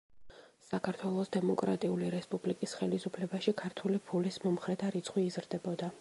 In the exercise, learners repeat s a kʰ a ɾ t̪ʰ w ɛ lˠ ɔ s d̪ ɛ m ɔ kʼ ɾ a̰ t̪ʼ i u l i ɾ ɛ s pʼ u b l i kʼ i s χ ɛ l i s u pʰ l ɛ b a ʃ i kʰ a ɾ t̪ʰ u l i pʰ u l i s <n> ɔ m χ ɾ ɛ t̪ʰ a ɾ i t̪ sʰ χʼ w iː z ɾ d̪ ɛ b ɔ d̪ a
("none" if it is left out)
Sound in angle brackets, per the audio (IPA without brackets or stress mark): m